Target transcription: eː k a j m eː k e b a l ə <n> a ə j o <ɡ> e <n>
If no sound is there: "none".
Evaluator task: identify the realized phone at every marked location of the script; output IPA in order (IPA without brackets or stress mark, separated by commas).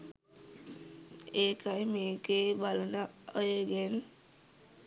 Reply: n, ɡ, n